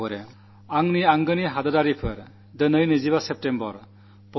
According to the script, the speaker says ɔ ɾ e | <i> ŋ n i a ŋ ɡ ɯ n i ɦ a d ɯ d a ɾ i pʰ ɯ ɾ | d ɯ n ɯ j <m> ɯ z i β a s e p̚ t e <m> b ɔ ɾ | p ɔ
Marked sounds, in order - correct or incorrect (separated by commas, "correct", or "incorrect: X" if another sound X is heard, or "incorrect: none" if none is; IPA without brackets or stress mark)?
incorrect: a, incorrect: n, correct